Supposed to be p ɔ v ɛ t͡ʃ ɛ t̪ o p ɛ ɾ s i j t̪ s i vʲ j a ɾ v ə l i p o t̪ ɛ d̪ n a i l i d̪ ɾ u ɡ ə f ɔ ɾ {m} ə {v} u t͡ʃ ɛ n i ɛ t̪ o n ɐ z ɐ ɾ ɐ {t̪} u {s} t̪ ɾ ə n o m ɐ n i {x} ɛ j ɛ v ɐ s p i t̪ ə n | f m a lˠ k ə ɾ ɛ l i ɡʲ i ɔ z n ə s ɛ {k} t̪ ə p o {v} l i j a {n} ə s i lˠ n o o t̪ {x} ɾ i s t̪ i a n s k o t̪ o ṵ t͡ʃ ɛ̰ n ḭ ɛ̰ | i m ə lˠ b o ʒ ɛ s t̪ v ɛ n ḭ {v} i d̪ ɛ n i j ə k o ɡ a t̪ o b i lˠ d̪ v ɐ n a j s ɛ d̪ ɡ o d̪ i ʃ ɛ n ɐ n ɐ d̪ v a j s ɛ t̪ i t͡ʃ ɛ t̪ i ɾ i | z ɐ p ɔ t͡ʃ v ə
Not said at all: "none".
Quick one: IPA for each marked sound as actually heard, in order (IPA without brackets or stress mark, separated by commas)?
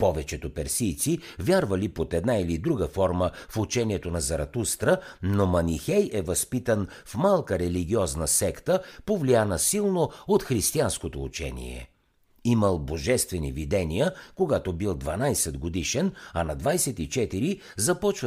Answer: m, f, t̪, s, x, k, v, n, x, v